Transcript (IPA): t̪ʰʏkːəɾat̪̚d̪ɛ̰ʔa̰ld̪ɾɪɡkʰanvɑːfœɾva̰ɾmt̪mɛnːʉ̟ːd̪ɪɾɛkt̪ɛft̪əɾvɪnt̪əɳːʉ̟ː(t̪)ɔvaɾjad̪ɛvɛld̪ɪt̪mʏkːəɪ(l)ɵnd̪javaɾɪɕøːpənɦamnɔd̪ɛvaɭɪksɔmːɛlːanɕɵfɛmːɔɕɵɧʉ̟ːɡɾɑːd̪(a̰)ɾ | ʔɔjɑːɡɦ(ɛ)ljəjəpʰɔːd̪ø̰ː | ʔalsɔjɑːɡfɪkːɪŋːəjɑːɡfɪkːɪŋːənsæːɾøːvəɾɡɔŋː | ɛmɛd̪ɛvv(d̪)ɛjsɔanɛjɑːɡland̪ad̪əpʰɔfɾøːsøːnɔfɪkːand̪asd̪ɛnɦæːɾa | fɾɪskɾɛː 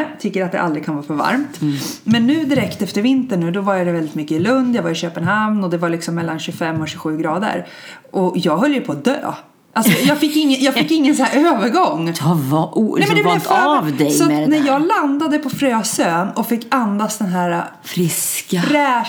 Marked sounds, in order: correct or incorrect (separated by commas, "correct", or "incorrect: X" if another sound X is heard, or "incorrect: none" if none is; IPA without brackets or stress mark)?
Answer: incorrect: d̪, correct, incorrect: ə̰, incorrect: œ, correct